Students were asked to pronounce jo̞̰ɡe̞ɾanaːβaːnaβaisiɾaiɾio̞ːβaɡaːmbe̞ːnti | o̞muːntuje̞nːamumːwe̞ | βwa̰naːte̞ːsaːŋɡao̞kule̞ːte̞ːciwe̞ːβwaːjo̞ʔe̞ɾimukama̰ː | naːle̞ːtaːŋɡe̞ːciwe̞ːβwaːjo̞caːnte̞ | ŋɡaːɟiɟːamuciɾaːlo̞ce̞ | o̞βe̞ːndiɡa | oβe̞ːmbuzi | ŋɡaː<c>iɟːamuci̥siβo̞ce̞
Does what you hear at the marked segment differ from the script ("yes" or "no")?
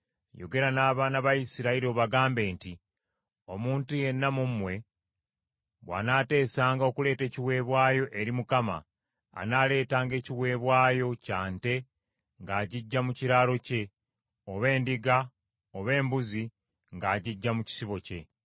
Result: yes